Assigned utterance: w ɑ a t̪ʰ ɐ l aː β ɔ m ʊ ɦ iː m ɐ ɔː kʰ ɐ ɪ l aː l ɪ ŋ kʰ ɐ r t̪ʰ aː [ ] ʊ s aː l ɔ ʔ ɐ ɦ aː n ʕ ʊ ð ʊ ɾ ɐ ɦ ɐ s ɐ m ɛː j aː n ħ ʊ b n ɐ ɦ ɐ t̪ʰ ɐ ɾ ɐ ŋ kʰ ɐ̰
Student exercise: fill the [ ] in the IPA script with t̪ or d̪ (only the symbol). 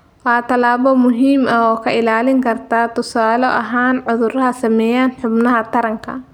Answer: t̪